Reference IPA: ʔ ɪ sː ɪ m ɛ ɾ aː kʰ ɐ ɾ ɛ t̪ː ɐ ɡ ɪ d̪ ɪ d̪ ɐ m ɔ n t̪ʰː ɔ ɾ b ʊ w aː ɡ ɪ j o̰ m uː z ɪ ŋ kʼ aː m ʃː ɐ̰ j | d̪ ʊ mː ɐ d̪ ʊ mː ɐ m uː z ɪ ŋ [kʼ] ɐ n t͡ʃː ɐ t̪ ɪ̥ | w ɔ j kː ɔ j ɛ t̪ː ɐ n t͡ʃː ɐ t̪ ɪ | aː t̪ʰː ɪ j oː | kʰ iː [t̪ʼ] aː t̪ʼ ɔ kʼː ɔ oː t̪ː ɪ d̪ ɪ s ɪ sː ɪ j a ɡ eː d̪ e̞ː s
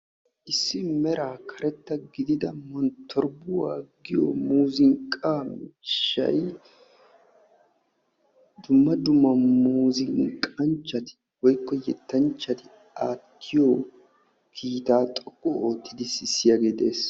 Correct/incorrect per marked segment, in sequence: correct, incorrect: t̪

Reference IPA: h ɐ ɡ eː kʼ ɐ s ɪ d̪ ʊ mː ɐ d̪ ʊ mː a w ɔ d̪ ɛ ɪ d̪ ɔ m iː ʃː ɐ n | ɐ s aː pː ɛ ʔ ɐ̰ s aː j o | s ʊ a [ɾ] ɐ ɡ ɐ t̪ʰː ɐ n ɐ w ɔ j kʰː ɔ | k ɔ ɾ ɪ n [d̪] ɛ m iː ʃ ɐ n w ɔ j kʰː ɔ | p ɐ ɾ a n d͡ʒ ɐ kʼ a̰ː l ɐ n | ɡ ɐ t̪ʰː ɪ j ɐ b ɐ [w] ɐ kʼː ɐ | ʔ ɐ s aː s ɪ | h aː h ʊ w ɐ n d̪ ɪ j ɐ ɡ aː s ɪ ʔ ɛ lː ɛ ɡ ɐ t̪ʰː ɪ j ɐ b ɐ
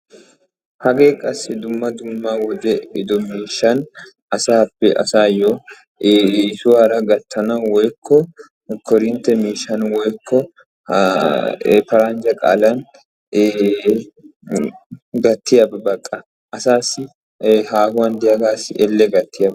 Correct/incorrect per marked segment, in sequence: correct, incorrect: t̪, incorrect: b

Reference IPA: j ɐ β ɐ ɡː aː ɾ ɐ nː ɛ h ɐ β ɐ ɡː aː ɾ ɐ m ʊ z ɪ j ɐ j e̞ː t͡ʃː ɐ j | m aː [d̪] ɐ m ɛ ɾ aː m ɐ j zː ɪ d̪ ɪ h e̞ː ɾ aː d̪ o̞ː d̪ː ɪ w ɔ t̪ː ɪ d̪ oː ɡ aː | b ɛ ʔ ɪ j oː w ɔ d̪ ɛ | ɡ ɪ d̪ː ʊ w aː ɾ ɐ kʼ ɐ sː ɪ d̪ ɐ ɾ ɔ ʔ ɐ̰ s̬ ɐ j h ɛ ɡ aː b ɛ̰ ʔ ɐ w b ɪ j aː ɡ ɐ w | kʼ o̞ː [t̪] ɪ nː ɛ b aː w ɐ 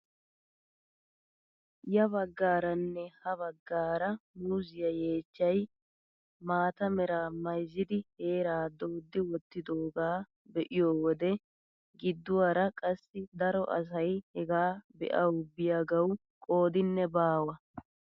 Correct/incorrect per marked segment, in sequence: incorrect: t̪, incorrect: d̪

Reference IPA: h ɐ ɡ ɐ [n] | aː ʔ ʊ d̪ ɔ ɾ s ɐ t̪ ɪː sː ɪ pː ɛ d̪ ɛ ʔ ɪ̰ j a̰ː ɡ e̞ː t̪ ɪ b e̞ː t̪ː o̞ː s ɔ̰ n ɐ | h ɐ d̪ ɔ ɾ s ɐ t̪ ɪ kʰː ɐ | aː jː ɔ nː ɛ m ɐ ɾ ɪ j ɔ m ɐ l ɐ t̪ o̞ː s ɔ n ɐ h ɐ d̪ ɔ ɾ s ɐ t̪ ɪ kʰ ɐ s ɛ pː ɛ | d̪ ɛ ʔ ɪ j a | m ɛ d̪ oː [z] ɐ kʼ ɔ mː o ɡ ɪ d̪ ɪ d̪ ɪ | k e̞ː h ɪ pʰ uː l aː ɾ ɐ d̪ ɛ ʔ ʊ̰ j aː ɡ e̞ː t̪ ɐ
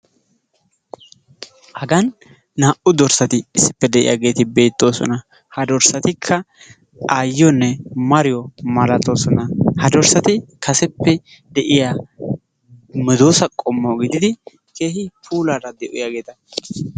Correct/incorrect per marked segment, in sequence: incorrect: nː, incorrect: s

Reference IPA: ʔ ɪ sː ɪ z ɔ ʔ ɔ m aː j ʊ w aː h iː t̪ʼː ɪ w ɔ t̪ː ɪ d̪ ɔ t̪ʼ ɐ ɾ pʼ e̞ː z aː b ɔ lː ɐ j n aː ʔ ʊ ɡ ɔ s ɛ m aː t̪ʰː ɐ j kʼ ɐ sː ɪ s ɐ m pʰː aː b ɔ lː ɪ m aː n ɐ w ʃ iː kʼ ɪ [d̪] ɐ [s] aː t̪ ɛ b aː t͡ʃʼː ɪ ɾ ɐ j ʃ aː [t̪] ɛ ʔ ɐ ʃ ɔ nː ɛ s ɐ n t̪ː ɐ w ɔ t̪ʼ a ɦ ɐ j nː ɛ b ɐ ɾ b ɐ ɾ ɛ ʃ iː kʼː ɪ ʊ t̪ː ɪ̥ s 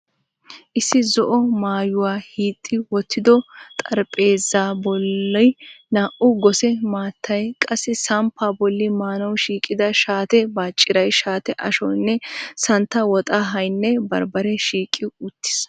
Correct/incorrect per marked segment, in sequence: correct, incorrect: ʃ, correct

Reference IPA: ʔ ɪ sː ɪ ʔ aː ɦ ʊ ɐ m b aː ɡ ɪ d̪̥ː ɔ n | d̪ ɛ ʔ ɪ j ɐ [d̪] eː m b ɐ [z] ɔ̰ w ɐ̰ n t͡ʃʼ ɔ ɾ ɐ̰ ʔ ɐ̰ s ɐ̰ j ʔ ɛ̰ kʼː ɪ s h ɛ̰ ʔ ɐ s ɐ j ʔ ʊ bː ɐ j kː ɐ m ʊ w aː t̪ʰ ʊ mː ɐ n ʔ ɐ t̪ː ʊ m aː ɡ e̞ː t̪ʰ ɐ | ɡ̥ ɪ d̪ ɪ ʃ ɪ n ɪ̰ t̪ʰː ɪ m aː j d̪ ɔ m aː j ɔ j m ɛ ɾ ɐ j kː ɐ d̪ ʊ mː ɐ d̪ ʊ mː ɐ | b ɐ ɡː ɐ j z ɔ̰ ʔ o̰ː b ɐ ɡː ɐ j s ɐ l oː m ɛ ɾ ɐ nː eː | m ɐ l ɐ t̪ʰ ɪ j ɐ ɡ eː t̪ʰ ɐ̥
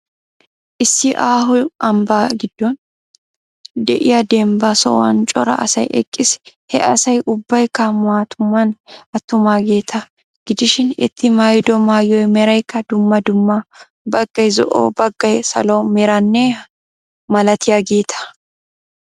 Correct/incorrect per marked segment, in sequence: correct, incorrect: s

